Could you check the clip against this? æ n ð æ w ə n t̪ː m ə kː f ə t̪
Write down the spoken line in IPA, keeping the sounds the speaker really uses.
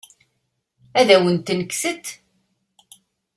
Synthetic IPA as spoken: æ ð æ w ə n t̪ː n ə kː s ə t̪